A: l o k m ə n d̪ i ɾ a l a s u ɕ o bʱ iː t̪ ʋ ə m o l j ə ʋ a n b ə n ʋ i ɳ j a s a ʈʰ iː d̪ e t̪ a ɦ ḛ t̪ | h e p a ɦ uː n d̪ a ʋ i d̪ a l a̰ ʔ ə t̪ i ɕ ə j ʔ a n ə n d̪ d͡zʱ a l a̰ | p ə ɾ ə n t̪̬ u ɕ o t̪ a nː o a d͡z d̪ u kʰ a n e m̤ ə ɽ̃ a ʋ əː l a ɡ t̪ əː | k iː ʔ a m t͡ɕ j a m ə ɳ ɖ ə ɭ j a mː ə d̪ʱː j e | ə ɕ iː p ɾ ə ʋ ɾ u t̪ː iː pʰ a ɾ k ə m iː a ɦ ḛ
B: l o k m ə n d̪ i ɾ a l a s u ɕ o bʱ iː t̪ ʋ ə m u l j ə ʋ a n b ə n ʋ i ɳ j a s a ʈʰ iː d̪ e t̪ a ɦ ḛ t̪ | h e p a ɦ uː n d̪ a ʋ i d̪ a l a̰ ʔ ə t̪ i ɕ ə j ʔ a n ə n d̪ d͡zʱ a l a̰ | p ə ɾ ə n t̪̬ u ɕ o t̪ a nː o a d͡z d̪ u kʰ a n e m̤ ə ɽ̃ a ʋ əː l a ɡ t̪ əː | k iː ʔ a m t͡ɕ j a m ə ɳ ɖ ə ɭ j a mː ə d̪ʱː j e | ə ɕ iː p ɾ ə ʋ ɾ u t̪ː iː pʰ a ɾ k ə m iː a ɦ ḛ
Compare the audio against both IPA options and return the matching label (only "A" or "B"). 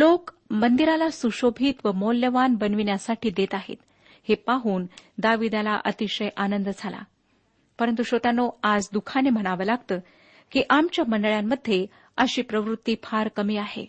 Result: A